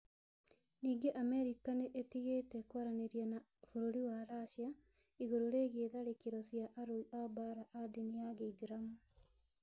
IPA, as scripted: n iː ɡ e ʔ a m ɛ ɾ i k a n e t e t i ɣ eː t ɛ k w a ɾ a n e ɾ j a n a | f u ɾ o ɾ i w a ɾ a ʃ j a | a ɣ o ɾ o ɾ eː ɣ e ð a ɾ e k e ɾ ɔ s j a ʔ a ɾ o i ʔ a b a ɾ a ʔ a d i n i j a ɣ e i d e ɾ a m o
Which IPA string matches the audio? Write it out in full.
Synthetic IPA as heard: n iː ɡ e ʔ a m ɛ ɾ i k a n e ʔ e t i ɣ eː t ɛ k w a ɾ a n e ɾ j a n a | f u ɾ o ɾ i w a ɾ a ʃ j a | i ɣ o ɾ o ɾ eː ɣ e ð a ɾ e k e ɾ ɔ s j a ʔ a ɾ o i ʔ a b a ɾ a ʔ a d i n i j a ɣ e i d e ɾ a m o